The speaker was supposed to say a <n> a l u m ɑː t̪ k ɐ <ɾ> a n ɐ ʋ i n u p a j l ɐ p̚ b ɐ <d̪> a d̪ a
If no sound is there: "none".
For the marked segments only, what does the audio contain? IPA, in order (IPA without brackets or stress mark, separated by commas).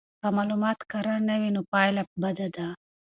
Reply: m, ɾ, d̪